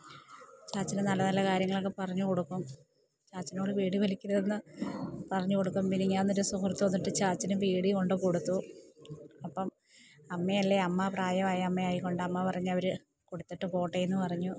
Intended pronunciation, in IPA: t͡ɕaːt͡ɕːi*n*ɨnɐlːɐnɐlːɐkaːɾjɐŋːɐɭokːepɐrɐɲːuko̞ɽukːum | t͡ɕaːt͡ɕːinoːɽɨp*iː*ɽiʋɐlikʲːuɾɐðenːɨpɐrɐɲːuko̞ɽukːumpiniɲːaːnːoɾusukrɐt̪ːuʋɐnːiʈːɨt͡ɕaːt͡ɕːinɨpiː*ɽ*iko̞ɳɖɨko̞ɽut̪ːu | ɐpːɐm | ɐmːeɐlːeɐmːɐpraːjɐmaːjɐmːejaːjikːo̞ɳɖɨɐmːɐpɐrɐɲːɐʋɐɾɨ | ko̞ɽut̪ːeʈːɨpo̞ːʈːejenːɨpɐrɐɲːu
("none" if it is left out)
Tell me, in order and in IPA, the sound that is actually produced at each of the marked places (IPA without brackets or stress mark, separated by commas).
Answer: n, iː, ɽ